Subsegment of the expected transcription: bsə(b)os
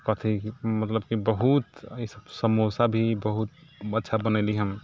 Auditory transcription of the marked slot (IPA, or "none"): m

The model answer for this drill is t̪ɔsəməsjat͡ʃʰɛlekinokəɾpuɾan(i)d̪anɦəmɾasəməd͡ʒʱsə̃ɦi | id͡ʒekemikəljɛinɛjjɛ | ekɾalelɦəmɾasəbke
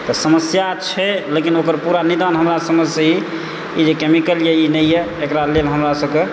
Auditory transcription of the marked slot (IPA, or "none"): i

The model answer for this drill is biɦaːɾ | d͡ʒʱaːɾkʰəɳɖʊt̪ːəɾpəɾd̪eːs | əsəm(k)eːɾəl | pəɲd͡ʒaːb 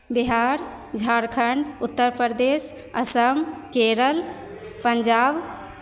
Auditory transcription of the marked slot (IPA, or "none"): k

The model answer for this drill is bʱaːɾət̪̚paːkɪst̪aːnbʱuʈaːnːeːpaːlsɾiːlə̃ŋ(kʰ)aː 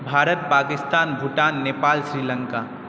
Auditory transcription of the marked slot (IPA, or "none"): k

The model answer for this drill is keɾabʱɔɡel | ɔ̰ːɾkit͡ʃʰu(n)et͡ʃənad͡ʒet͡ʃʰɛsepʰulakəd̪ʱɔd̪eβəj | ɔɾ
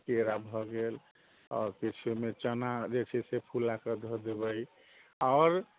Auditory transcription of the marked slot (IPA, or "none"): m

